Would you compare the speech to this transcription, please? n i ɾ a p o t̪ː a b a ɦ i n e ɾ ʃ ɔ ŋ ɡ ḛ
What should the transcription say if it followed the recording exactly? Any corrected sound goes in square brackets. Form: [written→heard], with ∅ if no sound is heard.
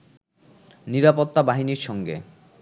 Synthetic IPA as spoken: n i ɾ a p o t̪ː a b a ɦ i n [e→i] ɾ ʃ ɔ ŋ ɡ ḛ

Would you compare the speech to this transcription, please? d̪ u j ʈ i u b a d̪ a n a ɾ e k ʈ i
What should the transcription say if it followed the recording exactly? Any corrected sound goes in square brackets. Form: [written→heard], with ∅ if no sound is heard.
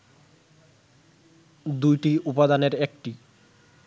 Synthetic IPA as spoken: d̪ u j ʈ i u [b→p] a d̪ a n [a→e] ɾ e k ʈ i

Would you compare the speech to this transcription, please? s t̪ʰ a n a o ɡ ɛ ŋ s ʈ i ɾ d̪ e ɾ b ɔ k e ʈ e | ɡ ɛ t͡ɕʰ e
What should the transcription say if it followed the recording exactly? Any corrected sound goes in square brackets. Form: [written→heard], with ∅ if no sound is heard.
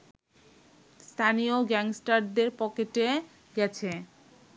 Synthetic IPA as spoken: s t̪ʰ a n [a→i] o ɡ ɛ ŋ s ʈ [i→a] ɾ d̪ e ɾ [b→p] ɔ k e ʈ e | ɡ ɛ t͡ɕʰ e

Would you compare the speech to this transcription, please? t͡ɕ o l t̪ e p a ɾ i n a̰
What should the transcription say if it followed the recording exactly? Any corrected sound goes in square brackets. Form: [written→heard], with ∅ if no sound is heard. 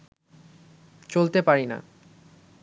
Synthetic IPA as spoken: t͡ɕ o l t̪ e p a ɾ i n a̰

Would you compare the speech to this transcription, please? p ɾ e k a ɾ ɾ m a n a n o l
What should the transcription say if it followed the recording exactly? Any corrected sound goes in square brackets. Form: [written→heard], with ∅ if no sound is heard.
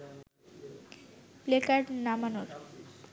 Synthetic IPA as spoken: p [ɾ→l] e k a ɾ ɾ [m→n] a [n→m] a n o [l→ɾ]

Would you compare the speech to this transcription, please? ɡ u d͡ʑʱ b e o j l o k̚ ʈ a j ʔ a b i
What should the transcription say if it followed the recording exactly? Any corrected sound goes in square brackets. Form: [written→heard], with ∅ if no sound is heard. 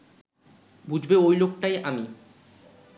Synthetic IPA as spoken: [ɡ→b] u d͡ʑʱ b e o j l o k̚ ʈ a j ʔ a [b→m] i

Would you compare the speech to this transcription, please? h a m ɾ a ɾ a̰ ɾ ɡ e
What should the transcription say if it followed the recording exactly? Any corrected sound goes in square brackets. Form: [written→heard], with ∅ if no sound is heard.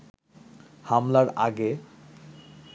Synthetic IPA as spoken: h a m [ɾ→l] a ɾ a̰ [ɾ→∅] ɡ e

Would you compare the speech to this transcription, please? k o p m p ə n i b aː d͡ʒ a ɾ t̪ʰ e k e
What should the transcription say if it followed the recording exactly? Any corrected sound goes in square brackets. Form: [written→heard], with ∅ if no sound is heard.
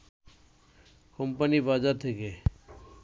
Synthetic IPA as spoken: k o [p→∅] m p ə n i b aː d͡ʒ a ɾ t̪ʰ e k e

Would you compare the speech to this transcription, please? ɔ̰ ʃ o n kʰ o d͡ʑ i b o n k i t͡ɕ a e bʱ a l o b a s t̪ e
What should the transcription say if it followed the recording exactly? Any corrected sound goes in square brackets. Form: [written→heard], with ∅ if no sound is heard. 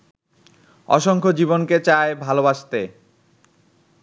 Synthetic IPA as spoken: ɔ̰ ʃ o [n→ŋ] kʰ o d͡ʑ i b o n k [i→e] t͡ɕ a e bʱ a l o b a [s→ʃ] t̪ e

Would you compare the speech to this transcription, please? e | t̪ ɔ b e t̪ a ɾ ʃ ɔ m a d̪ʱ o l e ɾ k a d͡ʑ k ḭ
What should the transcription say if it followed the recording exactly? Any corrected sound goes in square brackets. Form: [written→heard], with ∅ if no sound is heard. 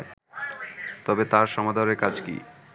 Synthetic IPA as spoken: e | t̪ ɔ b e t̪ a ɾ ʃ ɔ m a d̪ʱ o [l→ɾ] e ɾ k a d͡ʑ k ḭ

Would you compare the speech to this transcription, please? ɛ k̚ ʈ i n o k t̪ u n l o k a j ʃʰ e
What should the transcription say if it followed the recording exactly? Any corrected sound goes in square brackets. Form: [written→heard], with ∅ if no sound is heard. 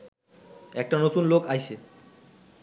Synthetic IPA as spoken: ɛ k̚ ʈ [i→a] n o [k→∅] t̪ u n l o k a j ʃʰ e

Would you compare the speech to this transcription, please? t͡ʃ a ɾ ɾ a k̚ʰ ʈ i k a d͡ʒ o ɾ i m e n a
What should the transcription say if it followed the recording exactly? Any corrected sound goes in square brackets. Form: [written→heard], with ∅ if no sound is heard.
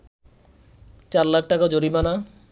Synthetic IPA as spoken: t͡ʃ a ɾ [ɾ→l] a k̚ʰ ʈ [i→a] k a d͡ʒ o ɾ i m [e→a] n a

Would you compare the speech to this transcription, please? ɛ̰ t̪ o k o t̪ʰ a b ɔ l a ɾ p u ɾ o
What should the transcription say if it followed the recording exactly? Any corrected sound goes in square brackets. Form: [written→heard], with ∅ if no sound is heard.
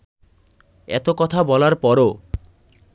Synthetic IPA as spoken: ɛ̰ t̪ o k [o→ɔ] t̪ʰ a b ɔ l a ɾ p [u→ɔ] ɾ o

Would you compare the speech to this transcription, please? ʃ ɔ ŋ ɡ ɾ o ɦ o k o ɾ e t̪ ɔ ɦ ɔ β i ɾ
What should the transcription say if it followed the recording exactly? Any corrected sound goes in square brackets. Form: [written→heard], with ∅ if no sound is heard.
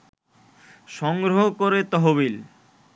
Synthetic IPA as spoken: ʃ ɔ ŋ ɡ ɾ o ɦ o k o ɾ e t̪ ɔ ɦ [ɔ→o] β i [ɾ→l]

